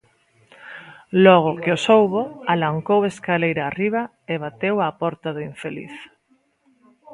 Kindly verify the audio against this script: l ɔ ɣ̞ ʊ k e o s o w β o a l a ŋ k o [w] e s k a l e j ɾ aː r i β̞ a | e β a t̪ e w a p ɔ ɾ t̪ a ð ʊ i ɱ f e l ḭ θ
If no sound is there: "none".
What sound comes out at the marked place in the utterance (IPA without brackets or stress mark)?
w